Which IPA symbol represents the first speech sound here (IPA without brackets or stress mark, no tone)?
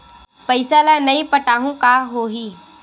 p